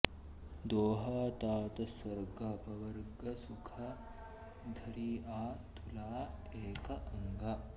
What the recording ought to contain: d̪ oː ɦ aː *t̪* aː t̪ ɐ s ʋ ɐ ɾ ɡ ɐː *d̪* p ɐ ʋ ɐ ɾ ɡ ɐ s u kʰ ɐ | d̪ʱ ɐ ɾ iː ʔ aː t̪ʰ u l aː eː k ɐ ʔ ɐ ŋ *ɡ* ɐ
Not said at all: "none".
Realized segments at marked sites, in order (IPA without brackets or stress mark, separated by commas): t̪, none, ɡ